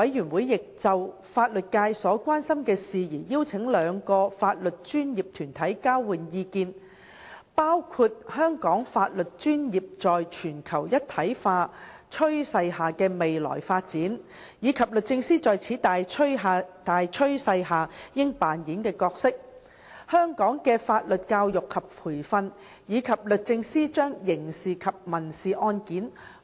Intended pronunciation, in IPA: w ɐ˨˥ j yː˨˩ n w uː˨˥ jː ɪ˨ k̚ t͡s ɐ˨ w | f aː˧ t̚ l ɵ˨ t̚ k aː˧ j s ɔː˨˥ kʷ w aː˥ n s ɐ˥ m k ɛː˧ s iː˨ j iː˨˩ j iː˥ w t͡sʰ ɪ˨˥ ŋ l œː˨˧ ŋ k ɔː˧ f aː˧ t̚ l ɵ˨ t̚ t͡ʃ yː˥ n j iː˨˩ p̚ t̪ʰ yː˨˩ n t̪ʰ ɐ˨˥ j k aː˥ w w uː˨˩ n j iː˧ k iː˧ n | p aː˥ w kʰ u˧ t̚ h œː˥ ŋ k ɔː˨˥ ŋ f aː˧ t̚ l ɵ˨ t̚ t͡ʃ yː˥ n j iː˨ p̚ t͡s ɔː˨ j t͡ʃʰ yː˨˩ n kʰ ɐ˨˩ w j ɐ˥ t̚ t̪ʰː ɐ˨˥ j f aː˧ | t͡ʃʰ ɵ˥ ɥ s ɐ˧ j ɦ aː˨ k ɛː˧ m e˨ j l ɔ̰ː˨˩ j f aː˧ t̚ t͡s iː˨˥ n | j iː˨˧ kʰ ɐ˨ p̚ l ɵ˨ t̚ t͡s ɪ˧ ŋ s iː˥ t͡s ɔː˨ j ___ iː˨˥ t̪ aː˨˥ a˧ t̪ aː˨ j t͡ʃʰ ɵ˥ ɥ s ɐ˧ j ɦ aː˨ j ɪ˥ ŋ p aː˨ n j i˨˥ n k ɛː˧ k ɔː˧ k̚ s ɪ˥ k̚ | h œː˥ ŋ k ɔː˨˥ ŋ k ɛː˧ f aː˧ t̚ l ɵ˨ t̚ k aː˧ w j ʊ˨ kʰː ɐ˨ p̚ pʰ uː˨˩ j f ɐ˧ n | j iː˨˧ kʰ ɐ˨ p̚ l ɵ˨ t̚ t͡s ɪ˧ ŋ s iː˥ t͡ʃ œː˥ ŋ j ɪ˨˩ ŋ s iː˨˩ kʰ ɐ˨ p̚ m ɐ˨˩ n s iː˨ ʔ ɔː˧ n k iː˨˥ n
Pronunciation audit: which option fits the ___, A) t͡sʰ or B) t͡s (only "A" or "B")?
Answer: A